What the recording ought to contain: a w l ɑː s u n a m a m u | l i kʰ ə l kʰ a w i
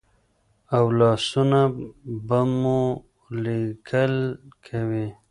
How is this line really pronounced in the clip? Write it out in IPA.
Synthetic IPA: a w l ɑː s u n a b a m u | l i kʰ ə l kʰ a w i